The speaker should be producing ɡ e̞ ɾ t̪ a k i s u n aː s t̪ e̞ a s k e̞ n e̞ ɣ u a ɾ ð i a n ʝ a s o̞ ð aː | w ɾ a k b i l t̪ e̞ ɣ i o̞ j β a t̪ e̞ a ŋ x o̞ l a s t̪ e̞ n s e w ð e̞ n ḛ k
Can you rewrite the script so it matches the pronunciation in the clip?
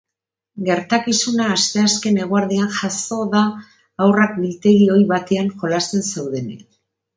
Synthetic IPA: ɡ e̞ ɾ t̪ a k i s u n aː s t̪ e̞ a s k e̞ n e̞ ɣ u a ɾ ð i a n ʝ a s o̞ ð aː | w r a k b i l t̪ e̞ ɣ i o̞ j β a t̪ e̞ a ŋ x o̞ l a s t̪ e̞ n s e w ð e̞ n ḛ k